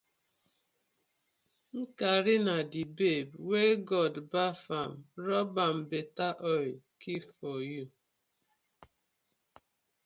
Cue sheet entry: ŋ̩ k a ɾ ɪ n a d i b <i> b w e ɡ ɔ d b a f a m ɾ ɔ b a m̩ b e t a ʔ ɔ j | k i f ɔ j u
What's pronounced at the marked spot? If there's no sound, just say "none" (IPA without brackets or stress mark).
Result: e